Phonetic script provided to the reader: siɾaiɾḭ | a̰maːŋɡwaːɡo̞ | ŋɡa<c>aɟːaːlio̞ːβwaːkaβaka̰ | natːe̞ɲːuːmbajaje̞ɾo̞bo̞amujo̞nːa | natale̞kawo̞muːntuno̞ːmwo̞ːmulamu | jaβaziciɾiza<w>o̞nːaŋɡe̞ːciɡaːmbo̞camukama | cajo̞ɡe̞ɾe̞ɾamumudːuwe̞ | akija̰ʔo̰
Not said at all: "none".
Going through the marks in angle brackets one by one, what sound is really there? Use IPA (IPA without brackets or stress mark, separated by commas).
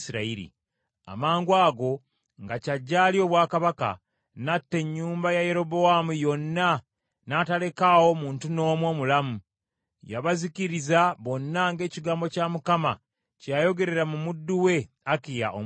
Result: c, β